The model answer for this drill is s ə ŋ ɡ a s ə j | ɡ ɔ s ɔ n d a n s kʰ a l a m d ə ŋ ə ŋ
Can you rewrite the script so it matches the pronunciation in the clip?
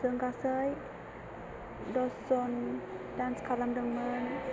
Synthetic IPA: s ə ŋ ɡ a s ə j | d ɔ s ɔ n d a n s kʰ a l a m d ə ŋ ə n